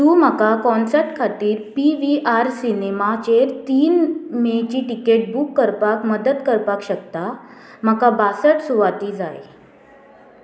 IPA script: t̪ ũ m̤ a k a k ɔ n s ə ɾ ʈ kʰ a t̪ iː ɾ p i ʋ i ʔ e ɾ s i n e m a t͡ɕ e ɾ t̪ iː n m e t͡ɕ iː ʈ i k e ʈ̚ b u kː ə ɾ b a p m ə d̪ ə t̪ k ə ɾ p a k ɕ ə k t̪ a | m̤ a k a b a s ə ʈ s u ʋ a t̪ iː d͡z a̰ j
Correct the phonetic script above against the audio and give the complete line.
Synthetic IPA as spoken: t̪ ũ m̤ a k a k ɔ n s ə ɾ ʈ kʰ a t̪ iː ɾ p i ʋ i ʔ a ɾ s i n e m a t͡ɕ e ɾ t̪ iː n m e t͡ɕ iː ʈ i k e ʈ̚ b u kː ə ɾ p a k m ə d̪ ə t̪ k ə ɾ p a k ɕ ə k t̪ a | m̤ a k a b a s ə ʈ s u ʋ a t̪ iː d͡z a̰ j